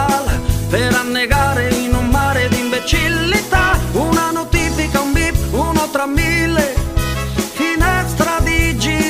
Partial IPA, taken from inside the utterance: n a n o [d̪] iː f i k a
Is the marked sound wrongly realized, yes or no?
yes